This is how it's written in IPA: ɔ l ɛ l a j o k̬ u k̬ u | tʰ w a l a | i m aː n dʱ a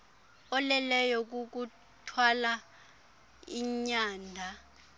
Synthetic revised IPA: ɔ l ɛ l ɛ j ɔ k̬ u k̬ u | tʰ w a l a | i ɲ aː n dʱ a